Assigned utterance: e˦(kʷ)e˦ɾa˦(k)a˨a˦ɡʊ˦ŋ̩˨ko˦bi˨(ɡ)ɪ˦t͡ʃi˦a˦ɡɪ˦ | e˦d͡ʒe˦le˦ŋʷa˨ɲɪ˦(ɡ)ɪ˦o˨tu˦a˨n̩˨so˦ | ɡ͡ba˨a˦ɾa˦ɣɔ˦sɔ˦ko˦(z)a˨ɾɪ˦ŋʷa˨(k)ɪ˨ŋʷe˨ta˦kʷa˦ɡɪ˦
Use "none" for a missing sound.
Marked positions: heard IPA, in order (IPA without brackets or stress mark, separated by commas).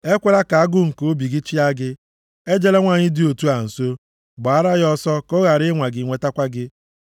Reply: kʷ, k, ɡ, d, ɣ, ɡ